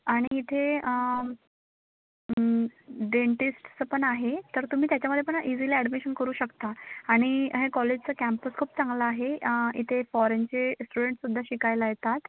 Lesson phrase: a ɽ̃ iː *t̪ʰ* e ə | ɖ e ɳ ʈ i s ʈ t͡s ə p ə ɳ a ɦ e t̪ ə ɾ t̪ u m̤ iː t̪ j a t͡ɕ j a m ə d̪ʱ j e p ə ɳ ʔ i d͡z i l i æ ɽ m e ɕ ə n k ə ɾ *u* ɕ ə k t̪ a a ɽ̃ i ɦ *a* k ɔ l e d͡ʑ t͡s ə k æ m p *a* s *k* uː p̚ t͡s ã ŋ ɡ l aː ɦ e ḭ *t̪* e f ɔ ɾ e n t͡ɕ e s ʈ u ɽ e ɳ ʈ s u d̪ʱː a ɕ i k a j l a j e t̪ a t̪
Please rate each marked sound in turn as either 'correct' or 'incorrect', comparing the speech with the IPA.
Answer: correct, incorrect, incorrect, incorrect, incorrect, incorrect

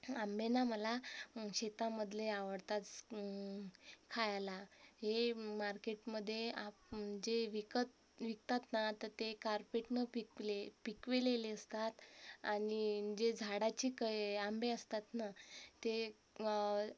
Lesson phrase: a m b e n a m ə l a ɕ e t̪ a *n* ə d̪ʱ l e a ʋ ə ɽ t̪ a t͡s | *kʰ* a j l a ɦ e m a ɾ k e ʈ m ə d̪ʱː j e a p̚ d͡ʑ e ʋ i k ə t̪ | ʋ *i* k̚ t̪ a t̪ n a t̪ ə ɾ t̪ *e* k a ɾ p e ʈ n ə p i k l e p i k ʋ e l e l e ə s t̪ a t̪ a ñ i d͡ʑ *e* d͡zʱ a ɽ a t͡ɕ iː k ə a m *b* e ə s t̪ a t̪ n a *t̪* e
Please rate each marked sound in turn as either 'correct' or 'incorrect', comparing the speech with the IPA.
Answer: incorrect, correct, correct, correct, correct, correct, correct

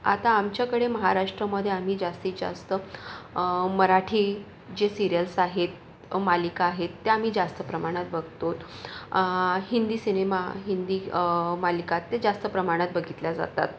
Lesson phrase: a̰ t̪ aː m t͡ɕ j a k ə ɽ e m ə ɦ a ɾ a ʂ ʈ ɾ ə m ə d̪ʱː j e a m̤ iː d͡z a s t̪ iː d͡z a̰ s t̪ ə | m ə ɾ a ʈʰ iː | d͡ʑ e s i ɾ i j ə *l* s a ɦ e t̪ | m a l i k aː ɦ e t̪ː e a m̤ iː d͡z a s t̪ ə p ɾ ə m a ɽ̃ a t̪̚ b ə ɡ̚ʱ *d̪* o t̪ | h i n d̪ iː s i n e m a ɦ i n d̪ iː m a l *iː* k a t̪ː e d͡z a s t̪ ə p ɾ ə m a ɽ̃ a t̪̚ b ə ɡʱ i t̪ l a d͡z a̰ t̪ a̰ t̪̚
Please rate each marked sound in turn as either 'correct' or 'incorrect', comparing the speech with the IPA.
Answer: correct, incorrect, incorrect

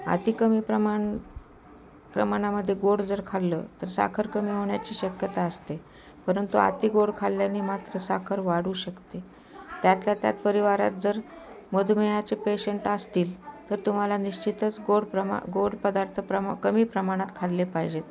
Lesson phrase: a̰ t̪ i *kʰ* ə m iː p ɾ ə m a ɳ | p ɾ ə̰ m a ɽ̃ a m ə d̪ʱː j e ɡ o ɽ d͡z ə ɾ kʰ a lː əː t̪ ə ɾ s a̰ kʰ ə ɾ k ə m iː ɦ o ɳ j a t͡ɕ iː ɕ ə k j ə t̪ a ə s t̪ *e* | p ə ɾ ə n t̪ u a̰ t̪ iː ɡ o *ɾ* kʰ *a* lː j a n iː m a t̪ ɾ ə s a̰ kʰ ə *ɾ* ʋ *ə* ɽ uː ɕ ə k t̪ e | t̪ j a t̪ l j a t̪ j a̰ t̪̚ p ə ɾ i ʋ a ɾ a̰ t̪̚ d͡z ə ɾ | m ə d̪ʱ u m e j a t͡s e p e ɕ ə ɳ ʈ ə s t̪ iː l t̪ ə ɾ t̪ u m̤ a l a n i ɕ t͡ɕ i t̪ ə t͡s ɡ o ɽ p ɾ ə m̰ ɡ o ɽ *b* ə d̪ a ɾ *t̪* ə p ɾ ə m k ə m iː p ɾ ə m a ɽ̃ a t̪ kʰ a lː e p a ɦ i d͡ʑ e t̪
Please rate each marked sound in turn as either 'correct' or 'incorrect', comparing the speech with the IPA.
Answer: incorrect, correct, incorrect, correct, correct, incorrect, incorrect, incorrect

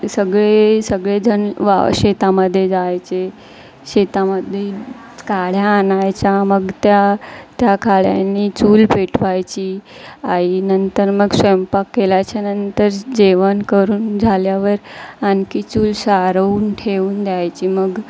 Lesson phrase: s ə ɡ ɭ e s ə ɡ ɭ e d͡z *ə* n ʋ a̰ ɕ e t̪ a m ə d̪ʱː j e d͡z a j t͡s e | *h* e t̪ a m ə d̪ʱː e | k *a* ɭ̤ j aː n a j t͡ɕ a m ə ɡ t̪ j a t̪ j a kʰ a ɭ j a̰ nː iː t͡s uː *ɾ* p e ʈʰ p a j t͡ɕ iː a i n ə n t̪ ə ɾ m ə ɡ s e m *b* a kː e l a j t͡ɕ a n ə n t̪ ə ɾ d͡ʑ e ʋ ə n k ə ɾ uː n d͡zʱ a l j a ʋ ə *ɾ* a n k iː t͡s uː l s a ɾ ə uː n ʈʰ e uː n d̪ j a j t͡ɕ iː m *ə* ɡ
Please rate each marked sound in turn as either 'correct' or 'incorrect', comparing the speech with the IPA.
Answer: correct, incorrect, correct, incorrect, incorrect, correct, correct

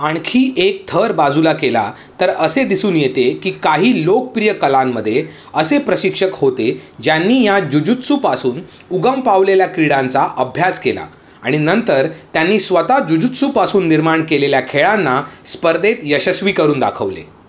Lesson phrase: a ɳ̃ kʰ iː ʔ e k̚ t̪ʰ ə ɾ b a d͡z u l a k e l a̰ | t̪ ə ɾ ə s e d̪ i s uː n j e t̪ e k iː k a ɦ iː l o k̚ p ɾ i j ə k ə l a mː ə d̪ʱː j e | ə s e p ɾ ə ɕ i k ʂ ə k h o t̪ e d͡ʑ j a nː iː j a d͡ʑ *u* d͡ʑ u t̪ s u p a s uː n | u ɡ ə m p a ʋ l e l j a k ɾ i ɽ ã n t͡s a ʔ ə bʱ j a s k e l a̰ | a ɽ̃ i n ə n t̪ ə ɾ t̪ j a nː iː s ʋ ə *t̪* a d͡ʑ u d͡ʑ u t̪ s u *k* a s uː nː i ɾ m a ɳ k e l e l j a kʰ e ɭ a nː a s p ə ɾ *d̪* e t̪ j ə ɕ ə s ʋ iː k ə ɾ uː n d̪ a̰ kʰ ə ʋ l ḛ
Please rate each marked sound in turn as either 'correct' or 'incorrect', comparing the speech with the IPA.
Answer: correct, correct, incorrect, correct

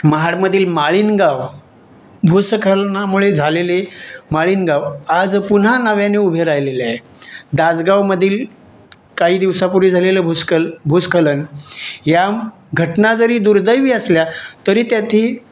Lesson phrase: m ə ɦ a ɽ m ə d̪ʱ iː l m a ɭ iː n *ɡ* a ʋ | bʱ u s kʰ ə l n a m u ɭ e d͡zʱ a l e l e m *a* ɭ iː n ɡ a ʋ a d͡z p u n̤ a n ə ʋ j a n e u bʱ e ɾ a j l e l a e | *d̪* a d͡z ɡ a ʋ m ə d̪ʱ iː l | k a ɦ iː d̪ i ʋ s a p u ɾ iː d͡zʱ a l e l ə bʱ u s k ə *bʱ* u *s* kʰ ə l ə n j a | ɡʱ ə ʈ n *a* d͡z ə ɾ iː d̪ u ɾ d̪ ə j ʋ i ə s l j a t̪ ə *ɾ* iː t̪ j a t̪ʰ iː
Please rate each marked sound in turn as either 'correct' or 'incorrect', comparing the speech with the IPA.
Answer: correct, correct, correct, correct, correct, correct, correct

